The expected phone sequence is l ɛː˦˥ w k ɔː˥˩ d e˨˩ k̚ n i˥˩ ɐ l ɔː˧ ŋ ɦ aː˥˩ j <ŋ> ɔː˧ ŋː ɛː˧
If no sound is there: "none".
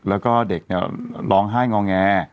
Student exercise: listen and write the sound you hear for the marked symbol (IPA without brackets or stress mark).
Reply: ŋ